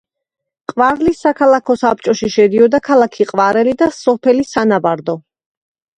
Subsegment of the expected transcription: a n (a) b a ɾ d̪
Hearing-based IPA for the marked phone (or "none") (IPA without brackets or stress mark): a